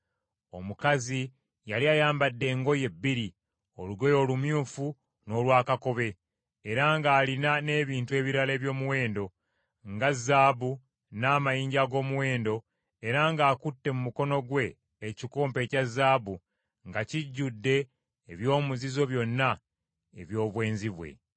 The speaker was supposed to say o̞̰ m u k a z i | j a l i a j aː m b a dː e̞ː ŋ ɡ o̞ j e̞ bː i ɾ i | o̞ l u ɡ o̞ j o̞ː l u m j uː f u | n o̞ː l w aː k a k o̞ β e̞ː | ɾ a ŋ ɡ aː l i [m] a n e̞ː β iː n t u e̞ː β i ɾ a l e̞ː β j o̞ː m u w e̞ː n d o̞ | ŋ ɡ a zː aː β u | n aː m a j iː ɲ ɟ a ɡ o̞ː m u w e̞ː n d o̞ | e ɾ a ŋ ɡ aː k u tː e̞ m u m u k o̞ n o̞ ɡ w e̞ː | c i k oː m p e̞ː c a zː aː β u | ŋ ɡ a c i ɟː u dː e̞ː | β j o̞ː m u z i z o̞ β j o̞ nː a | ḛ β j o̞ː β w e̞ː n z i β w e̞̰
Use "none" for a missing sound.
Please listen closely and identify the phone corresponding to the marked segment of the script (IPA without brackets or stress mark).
n